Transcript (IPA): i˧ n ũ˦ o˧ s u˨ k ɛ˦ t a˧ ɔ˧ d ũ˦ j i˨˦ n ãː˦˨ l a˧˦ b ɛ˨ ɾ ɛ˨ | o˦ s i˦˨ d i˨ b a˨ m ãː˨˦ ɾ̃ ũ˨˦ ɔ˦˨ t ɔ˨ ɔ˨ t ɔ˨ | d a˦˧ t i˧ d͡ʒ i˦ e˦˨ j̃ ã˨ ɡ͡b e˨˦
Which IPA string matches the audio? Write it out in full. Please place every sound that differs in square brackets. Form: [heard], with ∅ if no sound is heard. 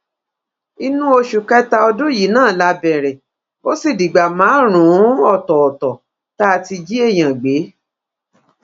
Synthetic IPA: i˧ n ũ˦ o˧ [ʃ] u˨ k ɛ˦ t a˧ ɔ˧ d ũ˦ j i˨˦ n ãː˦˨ l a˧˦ b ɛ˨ ɾ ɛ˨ | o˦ s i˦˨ d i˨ [ɡ͡b] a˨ m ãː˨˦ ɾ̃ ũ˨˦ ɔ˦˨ t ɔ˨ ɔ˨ t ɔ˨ | [t] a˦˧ t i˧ d͡ʒ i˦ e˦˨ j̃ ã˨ ɡ͡b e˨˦